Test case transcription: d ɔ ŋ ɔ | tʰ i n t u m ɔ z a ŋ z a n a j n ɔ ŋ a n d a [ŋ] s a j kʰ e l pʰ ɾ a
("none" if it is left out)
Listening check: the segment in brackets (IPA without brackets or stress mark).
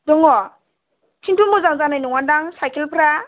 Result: ŋ